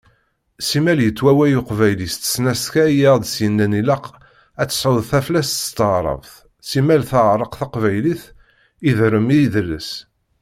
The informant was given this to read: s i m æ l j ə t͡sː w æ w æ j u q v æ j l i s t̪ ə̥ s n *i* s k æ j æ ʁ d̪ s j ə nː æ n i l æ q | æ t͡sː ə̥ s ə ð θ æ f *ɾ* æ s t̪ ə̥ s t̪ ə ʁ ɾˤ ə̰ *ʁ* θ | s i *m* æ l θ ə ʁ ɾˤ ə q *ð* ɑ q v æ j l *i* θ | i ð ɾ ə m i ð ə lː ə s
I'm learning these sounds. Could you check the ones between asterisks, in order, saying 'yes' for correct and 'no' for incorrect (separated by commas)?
no, no, no, yes, no, yes